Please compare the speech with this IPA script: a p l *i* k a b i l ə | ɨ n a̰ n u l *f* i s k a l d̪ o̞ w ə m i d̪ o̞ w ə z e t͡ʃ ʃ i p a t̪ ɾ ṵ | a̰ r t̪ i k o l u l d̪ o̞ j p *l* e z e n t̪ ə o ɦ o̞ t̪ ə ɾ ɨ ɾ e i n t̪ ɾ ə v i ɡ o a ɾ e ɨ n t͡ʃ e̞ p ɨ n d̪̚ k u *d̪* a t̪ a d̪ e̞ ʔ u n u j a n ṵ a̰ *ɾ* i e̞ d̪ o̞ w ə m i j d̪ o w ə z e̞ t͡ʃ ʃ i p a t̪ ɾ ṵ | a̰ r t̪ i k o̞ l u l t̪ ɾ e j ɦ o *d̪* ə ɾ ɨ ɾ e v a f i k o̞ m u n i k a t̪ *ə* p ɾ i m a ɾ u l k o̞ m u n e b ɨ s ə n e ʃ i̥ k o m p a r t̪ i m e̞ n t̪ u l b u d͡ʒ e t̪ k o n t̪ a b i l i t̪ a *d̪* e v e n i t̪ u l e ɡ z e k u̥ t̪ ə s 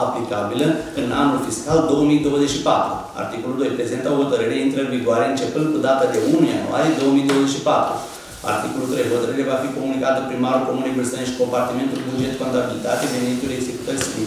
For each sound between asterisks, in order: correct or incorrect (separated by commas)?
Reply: correct, correct, incorrect, correct, correct, incorrect, correct, incorrect